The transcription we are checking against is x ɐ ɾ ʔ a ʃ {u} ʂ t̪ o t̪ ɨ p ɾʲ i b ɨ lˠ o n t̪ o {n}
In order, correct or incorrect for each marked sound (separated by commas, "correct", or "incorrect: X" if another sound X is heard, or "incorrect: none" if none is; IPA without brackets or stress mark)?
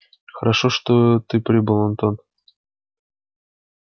incorrect: o, correct